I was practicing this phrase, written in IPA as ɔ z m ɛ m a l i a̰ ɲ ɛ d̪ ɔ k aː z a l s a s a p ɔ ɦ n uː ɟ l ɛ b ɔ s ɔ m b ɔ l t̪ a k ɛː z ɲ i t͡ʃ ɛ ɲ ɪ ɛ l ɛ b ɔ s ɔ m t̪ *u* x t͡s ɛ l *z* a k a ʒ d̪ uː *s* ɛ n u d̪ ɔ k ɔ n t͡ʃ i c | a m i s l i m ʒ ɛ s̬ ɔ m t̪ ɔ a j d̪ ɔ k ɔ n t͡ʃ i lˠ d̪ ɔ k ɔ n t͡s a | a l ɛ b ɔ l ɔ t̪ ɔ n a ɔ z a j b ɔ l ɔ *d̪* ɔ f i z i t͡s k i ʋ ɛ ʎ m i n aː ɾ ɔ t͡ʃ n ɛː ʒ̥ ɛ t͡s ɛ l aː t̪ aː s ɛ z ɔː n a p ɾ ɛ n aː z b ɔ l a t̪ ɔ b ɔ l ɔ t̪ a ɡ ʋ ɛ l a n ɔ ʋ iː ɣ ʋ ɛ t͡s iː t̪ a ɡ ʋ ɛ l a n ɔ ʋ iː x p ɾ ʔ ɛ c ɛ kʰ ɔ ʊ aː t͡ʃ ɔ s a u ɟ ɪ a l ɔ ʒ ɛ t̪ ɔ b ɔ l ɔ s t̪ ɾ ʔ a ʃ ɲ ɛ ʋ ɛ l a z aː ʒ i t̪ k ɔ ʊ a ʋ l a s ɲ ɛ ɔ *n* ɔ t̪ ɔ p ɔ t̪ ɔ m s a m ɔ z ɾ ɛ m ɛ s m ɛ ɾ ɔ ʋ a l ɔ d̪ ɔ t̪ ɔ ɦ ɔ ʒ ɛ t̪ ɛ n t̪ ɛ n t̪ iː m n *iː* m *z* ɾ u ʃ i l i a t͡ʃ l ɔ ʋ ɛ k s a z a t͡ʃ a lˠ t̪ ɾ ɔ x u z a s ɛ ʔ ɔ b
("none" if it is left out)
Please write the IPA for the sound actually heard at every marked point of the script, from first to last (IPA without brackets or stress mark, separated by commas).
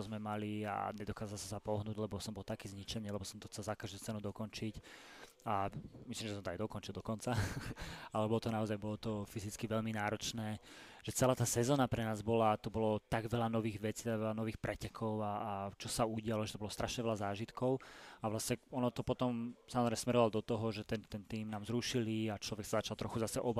ɔ, z, t͡s, t̪, n, aː, z